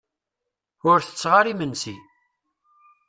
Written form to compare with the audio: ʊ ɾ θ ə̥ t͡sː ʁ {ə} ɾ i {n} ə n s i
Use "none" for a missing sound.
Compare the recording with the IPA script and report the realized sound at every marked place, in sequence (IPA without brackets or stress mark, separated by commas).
a, m